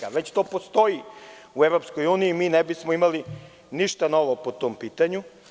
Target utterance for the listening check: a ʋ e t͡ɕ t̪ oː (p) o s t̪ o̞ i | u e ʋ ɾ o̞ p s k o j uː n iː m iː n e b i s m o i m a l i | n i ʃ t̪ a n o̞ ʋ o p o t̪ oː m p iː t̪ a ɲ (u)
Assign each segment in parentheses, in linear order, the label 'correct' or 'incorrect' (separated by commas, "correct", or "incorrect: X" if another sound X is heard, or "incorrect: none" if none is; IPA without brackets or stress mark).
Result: correct, correct